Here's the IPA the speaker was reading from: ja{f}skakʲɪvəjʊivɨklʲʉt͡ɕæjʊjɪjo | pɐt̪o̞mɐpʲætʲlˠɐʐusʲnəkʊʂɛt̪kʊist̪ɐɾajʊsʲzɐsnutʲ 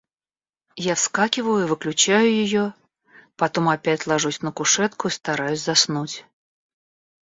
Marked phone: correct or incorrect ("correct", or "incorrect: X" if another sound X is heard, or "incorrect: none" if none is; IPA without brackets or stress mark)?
correct